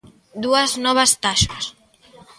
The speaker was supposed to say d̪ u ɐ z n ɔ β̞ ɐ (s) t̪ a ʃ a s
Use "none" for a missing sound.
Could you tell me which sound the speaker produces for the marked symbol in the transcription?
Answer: s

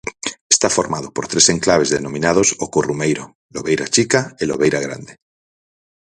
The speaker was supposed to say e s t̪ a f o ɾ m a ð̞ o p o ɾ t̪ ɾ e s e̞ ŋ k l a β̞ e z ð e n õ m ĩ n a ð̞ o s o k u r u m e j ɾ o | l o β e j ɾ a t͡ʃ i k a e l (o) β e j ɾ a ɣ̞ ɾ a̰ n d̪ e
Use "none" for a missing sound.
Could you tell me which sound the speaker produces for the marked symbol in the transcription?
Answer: o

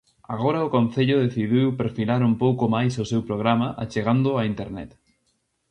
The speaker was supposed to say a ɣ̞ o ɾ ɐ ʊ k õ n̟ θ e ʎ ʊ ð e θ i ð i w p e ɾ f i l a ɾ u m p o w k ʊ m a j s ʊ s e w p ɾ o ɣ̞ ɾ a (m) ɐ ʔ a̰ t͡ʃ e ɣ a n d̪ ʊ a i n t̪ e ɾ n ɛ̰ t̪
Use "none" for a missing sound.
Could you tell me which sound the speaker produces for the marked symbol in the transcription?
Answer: m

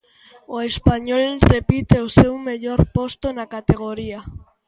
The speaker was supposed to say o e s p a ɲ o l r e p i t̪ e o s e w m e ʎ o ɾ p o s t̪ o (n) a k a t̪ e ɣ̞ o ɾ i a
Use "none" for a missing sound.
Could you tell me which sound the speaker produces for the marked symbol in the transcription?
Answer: n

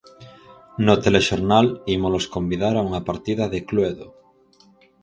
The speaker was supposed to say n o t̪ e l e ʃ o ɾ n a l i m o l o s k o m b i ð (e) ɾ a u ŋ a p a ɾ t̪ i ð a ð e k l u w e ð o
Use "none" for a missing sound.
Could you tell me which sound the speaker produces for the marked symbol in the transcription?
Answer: a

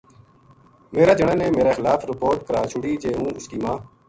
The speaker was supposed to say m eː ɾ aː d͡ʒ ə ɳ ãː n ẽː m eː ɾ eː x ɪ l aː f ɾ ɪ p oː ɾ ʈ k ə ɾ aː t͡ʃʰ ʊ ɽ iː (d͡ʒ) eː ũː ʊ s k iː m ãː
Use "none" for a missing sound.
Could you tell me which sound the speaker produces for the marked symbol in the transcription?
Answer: d͡ʒ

